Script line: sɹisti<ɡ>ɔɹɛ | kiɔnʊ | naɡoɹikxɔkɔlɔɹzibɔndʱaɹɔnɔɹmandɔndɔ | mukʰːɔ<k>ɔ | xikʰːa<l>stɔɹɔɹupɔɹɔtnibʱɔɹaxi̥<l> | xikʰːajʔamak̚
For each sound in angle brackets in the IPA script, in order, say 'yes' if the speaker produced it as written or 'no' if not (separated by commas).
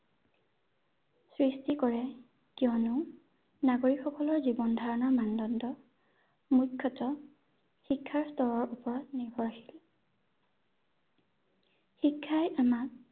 no, no, no, yes